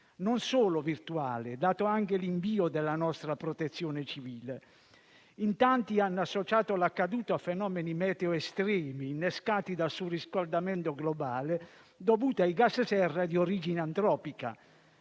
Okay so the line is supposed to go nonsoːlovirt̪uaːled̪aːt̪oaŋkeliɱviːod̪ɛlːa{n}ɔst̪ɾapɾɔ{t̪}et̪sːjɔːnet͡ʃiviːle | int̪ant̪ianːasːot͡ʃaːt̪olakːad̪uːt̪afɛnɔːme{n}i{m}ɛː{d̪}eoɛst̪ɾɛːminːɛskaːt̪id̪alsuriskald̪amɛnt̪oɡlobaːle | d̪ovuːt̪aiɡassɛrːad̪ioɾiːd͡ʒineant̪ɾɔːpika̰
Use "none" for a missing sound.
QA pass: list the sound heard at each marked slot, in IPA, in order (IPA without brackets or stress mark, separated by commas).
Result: n, t̪, n, m, t̪